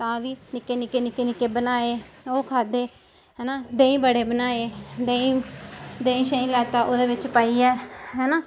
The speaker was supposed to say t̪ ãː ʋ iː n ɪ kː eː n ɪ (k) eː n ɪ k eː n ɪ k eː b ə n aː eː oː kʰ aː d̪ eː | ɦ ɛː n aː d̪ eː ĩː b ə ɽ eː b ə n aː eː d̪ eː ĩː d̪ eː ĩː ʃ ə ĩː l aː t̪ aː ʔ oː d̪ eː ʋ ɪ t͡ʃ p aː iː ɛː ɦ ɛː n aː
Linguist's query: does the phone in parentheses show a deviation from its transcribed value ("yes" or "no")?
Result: no